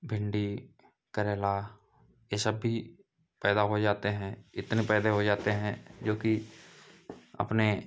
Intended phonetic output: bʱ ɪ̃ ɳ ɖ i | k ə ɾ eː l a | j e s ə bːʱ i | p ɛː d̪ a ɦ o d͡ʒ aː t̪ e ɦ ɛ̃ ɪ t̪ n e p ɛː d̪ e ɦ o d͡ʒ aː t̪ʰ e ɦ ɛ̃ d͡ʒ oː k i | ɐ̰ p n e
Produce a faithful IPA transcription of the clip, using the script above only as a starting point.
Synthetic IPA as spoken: bʱ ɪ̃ ɳ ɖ i | k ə ɾ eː l a | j e s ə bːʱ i | p ɛː d̪ a ɦ o d͡ʒ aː t̪ e ɦ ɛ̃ ɪ t̪ n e p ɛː d̪ e ɦ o d͡ʒ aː t̪ e ɦ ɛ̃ d͡ʒ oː k i | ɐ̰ p n e